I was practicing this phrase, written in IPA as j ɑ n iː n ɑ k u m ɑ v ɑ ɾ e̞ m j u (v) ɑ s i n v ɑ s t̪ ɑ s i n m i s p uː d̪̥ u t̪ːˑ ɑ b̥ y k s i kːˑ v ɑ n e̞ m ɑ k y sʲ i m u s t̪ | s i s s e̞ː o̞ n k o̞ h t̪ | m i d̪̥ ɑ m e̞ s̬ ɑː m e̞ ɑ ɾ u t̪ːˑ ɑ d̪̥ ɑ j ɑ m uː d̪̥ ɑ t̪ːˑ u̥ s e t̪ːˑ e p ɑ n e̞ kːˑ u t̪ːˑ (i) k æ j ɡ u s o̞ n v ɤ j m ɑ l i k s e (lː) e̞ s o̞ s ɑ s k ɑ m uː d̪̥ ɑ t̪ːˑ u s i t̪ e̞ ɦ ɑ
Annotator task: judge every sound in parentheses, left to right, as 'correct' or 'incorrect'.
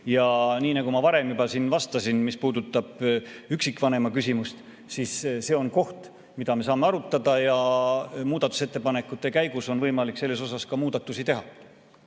incorrect: b, incorrect: e, correct

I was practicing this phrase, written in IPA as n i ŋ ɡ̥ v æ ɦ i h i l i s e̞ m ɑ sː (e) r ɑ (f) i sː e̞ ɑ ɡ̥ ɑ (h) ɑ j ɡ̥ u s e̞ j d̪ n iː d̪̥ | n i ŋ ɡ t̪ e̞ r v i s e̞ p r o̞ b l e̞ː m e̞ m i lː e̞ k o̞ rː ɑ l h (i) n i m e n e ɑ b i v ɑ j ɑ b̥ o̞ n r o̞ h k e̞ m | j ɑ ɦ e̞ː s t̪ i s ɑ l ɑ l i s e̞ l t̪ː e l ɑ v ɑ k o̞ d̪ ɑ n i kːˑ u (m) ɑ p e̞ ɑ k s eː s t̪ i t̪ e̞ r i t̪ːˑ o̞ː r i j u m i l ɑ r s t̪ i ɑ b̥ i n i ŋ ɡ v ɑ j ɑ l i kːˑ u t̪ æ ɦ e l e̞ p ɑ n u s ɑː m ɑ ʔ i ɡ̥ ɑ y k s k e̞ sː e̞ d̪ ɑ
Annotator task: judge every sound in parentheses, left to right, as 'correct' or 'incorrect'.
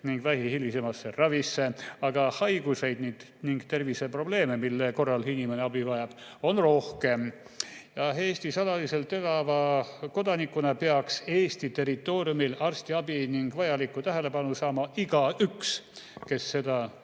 correct, incorrect: v, correct, correct, incorrect: n

